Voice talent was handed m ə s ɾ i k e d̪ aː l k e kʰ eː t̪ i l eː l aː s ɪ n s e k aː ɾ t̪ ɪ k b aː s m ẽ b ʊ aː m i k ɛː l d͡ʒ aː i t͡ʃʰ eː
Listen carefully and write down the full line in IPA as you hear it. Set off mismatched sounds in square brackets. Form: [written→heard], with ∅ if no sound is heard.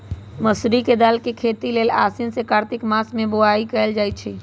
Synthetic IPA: m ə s ɾ i k e d̪ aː l k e kʰ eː t̪ i l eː l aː s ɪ n s e k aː ɾ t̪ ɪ k [b→m] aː s m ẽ b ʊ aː [m→∅] i k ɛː l d͡ʒ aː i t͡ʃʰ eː